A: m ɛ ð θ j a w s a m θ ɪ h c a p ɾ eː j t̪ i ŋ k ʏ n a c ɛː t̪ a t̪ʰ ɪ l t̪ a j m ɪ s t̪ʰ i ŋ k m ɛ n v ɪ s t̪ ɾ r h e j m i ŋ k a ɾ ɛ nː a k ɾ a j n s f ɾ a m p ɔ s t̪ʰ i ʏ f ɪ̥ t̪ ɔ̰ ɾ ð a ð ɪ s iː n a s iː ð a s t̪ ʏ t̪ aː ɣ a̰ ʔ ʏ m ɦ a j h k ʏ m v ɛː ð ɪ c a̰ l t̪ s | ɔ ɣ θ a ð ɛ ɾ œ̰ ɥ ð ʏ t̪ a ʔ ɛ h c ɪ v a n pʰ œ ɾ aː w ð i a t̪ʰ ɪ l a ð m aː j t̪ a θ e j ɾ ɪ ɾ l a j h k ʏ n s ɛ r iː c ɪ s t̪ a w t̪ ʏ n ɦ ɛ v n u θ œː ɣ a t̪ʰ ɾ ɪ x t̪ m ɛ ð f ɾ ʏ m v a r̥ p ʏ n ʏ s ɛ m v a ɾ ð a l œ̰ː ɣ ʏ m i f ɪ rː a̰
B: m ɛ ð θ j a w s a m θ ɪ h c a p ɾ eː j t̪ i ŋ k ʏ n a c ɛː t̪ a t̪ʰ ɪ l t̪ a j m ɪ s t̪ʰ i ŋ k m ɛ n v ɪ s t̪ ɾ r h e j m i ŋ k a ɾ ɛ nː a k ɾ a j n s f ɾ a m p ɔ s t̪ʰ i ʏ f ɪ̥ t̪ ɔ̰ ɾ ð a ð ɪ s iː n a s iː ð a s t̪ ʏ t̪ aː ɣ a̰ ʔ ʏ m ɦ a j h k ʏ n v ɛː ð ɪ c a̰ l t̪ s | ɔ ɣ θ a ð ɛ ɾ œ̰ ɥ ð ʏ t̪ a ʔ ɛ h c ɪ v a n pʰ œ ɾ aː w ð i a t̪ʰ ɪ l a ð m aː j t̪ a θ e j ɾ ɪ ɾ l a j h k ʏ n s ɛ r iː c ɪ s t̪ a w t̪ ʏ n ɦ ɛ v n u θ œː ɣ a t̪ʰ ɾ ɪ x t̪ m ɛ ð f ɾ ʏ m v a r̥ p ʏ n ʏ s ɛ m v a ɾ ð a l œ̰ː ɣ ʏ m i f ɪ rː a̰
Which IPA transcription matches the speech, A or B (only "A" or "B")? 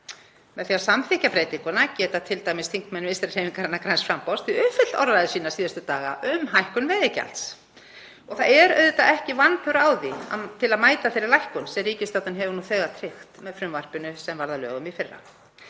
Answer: B